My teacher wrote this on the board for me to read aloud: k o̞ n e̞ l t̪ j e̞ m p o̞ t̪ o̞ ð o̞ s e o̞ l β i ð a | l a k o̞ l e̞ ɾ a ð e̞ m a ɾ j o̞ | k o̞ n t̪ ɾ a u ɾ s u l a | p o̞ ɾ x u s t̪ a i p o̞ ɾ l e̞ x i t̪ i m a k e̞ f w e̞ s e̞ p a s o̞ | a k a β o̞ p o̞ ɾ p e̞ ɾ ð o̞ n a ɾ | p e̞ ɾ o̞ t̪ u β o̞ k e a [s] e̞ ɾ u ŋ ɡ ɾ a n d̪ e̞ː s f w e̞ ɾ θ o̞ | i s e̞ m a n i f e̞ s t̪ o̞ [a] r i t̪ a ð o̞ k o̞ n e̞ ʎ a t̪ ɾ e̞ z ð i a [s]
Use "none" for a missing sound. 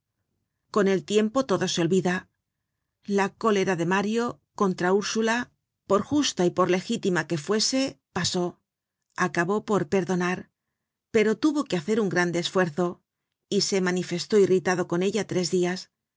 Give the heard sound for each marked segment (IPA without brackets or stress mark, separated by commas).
θ, i, s